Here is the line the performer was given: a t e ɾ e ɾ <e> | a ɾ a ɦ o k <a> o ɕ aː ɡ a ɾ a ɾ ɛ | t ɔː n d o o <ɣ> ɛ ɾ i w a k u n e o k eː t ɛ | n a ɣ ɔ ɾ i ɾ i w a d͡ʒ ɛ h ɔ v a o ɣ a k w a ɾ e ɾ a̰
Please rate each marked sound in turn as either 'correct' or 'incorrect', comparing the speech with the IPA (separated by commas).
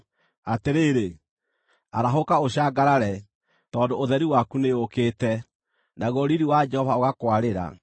correct, correct, incorrect